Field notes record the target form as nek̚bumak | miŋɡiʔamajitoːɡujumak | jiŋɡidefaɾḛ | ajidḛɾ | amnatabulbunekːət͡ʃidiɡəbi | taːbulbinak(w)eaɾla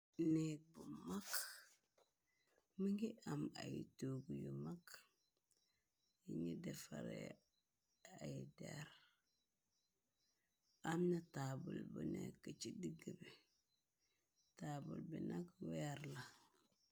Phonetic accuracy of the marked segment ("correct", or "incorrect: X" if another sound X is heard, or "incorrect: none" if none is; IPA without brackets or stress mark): correct